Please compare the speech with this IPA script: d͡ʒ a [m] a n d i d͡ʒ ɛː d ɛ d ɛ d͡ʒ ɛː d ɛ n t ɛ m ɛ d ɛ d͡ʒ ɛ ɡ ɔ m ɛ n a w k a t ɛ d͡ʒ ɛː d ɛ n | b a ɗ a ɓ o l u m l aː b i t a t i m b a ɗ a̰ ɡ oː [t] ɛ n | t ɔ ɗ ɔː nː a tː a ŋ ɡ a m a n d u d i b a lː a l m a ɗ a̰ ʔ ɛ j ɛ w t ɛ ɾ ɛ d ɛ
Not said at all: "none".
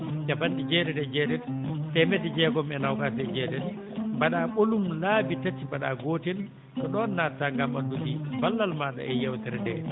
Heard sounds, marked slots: b, t

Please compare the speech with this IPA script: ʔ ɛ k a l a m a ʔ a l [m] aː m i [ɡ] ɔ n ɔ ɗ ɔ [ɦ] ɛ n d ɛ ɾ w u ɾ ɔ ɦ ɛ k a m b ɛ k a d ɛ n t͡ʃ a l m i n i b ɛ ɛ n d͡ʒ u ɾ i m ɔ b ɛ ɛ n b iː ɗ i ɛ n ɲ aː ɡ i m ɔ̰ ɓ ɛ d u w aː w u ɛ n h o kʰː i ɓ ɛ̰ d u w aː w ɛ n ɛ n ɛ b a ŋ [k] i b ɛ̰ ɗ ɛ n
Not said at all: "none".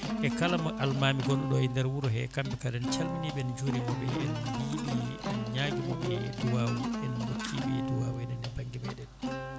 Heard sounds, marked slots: m, ɡ, none, ɡ

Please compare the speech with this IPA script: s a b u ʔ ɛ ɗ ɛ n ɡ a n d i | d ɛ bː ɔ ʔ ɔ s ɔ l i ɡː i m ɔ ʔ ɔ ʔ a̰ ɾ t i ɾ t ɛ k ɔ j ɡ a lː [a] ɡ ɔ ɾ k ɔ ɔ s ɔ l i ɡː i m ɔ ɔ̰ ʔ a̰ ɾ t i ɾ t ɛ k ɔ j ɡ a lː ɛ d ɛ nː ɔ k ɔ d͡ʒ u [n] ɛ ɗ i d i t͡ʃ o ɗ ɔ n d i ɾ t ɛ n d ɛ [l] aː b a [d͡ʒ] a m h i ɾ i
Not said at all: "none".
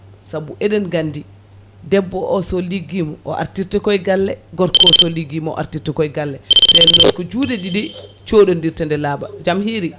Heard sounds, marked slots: ɛ, d, l, d͡ʒ

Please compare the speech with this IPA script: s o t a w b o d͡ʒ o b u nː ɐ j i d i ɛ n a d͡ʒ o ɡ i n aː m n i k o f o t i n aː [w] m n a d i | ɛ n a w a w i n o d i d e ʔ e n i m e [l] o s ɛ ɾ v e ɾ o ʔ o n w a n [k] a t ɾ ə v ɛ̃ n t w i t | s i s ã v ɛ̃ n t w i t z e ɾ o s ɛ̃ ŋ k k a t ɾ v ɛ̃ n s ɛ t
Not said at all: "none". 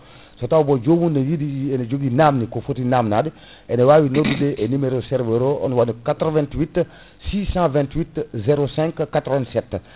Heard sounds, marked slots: none, ɾ, k

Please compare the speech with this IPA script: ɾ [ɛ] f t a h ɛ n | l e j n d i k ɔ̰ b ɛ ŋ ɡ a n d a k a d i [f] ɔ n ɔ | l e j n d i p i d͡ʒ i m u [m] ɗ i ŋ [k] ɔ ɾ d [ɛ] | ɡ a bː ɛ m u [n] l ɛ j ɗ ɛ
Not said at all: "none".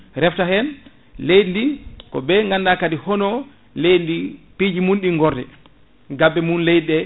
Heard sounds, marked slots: ɛ, h, n, ɡ, ɛ, n

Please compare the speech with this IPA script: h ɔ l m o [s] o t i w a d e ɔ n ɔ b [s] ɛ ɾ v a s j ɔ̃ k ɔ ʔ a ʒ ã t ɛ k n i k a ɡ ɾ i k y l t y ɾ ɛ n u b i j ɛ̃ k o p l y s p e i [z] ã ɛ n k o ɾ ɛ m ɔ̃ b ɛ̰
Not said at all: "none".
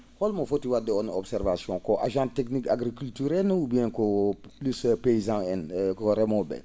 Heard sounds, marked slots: f, s, z

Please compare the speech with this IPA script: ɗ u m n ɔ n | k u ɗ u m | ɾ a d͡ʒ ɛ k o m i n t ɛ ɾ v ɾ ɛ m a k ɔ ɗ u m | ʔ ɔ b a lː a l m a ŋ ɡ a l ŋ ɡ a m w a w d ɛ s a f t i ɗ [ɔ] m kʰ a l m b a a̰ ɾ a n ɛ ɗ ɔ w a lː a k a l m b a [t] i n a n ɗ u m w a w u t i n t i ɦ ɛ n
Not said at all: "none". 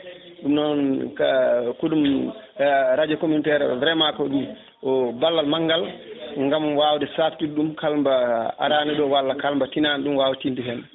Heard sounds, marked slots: u, t

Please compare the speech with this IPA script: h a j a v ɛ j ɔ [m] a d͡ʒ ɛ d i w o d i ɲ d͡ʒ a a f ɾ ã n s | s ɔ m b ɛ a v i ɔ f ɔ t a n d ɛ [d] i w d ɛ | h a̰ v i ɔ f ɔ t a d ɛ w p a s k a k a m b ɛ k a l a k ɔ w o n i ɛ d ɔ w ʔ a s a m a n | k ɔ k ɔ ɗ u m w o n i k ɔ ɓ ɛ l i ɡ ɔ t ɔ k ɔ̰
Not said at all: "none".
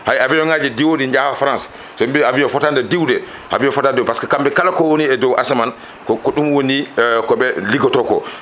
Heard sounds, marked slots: ŋ, d

